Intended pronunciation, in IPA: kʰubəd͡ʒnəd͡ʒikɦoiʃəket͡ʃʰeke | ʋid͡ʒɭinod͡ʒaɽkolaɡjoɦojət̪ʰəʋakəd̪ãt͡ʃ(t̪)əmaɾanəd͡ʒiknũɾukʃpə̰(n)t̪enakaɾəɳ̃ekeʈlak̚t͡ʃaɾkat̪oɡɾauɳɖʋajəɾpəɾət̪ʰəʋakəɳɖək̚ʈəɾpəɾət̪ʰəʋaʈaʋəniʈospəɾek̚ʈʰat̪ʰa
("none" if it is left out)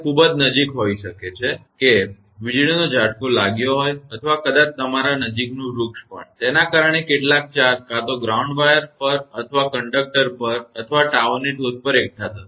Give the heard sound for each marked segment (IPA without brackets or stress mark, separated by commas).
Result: t̪, ɳ